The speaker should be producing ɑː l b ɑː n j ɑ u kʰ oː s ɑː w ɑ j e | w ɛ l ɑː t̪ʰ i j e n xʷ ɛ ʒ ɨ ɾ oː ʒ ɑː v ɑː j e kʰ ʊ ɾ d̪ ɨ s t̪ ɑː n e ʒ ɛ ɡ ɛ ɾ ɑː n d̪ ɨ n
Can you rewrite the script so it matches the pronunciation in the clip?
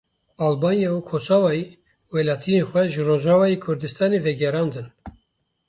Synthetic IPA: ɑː l b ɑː n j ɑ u kʰ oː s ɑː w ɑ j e | w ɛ l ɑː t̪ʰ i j e n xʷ ɛ ʒ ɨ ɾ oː ʒ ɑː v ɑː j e kʰ ʊ ɾ d̪ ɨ s t̪ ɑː n e v ɛ ɡ ɛ ɾ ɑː n d̪ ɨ n